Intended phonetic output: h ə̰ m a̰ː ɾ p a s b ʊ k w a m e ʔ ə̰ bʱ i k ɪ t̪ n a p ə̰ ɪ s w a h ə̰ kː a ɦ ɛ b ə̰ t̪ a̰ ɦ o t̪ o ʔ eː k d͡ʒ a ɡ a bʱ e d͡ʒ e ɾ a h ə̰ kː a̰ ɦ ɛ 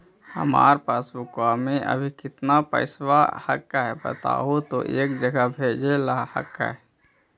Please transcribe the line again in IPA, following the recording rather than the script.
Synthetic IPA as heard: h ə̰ m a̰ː ɾ p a s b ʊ k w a m e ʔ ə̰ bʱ i k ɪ t̪ n a p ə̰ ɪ s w a h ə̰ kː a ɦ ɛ b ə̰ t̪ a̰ ɦ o t̪ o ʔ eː k d͡ʒ ə ɡ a bʱ e d͡ʒ e l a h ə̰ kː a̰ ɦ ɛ